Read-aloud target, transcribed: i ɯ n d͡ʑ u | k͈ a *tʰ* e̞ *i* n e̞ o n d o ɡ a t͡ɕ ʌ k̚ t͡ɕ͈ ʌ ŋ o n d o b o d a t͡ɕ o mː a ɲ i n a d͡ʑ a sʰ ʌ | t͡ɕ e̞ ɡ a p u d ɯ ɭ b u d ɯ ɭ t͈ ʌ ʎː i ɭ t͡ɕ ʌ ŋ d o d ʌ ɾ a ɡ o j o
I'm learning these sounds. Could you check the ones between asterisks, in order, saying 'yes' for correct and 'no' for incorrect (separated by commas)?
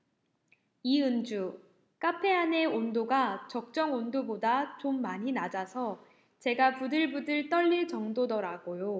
no, no